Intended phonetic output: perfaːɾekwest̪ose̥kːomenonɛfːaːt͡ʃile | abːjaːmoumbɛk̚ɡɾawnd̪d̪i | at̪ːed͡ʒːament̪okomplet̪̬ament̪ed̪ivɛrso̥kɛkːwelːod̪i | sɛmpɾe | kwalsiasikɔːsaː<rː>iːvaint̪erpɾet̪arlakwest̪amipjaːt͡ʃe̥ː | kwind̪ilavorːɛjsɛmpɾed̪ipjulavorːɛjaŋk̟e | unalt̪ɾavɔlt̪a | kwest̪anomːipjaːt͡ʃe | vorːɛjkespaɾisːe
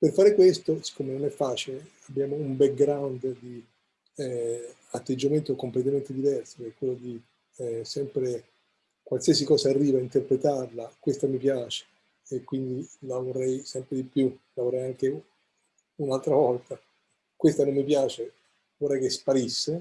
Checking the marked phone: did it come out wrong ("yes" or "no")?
no